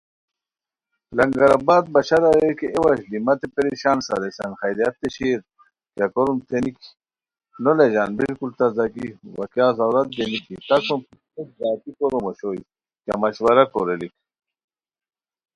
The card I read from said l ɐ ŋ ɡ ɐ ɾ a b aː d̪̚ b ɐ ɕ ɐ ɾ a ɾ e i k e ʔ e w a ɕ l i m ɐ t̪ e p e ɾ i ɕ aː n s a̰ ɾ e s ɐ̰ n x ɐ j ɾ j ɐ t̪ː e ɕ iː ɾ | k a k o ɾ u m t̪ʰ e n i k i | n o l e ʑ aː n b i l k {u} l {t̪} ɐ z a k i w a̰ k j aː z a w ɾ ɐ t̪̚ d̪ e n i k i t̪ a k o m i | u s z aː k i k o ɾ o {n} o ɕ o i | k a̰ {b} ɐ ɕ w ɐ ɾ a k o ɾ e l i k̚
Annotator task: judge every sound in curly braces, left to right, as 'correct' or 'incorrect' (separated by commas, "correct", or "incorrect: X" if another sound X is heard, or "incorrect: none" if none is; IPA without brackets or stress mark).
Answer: correct, correct, incorrect: m, incorrect: m